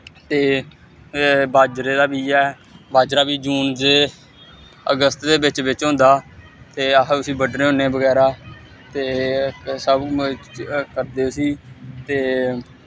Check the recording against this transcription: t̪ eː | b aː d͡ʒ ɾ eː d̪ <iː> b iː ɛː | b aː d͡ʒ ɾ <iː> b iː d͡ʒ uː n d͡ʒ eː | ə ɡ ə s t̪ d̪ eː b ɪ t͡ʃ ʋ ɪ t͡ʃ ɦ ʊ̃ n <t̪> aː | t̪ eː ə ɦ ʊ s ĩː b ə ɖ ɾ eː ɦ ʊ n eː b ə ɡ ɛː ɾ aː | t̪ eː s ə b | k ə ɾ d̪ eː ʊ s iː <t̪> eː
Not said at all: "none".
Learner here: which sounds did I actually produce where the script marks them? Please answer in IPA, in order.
aː, aː, d̪, t̪

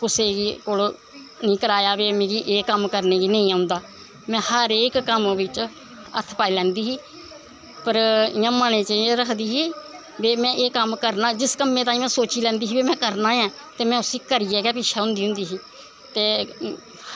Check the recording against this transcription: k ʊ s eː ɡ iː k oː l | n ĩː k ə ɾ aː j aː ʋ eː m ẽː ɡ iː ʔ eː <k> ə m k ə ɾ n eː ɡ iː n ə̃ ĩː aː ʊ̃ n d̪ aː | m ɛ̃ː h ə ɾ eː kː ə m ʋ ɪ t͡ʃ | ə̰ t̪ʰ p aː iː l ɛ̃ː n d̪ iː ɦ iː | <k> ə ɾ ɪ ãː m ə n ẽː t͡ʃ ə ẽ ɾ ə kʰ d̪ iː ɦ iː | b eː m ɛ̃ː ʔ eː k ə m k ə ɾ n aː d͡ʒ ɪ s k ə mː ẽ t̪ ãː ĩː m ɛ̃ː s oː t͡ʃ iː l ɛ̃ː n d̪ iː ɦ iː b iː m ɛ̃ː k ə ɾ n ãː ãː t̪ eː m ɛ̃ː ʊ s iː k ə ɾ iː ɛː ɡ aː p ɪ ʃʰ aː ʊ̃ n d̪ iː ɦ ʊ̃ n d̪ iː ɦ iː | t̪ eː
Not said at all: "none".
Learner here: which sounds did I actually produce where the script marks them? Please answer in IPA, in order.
k, p

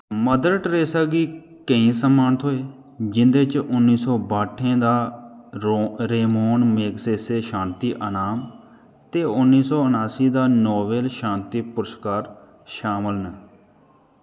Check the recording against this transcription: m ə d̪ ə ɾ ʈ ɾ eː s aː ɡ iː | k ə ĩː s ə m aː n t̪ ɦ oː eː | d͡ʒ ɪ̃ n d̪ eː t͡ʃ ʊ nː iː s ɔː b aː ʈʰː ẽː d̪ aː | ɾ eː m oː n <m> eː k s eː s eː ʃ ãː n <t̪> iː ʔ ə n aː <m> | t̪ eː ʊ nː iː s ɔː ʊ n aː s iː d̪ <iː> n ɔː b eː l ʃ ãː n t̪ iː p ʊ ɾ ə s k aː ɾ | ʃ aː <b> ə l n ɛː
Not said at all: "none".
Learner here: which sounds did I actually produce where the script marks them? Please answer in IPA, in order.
m, t̪, m, aː, m

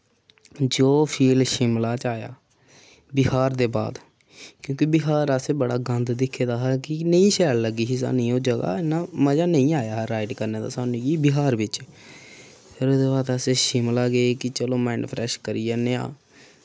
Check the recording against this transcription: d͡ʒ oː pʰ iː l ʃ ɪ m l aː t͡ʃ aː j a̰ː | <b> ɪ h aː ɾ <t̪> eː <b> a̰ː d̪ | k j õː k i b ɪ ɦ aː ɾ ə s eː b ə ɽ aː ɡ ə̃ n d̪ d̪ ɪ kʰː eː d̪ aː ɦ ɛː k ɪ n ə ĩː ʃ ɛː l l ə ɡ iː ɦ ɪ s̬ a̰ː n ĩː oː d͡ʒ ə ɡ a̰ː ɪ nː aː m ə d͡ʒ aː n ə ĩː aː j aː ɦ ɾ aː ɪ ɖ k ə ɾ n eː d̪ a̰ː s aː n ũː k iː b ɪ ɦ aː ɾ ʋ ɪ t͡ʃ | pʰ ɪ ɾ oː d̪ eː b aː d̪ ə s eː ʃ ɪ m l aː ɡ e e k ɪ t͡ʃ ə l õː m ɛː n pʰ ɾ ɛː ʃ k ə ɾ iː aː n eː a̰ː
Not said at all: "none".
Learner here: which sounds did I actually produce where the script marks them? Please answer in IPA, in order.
b, d̪, b

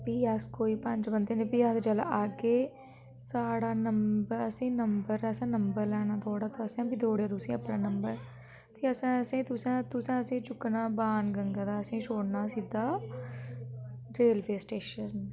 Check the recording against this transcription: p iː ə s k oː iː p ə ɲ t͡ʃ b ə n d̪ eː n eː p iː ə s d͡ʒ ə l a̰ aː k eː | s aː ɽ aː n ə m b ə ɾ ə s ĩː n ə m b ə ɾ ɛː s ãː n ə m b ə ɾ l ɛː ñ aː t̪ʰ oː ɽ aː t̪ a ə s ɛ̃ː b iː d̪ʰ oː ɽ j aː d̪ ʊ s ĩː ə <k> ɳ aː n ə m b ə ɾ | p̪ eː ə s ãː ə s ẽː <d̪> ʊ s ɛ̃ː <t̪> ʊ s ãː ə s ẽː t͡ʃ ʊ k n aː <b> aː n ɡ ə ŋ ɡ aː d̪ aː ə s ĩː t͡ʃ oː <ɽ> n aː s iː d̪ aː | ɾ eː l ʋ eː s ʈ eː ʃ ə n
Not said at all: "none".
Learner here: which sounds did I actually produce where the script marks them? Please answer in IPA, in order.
p, t̪, t̪, b, ɽ

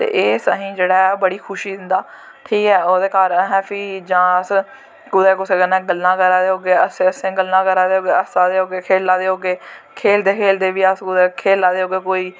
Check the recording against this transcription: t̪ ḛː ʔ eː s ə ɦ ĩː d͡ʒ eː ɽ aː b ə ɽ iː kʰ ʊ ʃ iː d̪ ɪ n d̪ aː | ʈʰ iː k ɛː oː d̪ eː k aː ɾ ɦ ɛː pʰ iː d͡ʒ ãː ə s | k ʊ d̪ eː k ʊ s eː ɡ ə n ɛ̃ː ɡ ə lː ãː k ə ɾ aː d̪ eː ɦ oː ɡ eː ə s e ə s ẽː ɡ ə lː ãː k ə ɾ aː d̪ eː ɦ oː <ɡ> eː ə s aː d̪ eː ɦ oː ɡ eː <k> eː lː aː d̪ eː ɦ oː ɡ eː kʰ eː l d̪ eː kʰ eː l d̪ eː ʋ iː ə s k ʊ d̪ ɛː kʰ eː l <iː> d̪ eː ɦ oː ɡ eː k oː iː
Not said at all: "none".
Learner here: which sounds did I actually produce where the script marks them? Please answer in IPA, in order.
ɡ, kʰ, aː

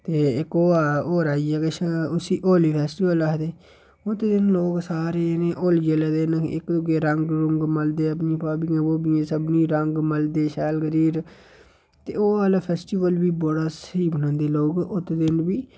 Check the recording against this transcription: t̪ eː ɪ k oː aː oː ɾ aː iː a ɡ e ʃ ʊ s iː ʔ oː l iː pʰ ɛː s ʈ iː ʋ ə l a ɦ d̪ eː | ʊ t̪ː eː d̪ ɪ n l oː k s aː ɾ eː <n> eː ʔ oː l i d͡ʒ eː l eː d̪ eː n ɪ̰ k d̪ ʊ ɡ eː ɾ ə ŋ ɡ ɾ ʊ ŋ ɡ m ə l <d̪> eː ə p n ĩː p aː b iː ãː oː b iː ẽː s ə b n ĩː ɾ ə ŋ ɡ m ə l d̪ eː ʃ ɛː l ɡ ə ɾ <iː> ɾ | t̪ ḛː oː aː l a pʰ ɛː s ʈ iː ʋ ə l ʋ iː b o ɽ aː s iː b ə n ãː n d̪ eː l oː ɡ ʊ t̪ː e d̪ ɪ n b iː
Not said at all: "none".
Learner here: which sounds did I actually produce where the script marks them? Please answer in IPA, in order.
n, d̪, iː

